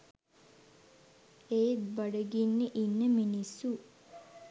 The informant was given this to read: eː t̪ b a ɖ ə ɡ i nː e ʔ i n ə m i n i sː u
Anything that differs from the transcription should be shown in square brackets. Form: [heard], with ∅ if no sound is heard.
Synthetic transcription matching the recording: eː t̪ b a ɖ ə ɡ i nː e ʔ i [nː] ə m i n i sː u